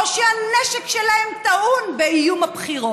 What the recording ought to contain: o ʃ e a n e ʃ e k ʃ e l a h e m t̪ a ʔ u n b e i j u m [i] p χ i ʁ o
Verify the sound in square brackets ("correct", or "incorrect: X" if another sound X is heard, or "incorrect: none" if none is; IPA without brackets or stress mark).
incorrect: a